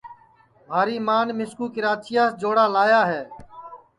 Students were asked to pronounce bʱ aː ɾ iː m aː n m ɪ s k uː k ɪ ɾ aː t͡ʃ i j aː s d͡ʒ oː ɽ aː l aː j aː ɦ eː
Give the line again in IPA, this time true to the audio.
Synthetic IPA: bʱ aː ɾ iː m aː n m ɪ s k uː k ɪ ɾ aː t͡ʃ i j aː s d͡ʒ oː ɽ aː l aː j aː ɦ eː